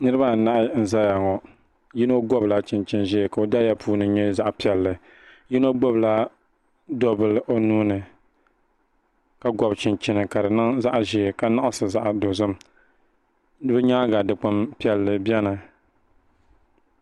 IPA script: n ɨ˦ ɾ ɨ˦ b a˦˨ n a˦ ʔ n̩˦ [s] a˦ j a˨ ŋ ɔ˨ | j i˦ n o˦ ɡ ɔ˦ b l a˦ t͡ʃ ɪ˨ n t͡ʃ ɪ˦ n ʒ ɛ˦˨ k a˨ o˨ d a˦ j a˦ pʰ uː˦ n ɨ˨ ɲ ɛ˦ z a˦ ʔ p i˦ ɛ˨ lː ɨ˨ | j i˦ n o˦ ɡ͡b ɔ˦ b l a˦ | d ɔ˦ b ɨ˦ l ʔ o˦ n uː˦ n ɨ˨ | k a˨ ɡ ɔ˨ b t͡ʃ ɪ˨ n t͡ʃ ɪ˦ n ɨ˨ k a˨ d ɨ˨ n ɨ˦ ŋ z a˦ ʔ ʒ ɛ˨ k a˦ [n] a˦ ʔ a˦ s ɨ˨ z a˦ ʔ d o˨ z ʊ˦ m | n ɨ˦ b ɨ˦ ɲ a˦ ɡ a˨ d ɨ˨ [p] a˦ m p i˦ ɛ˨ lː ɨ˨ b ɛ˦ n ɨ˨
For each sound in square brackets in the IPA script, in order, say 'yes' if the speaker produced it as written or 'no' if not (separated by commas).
no, yes, no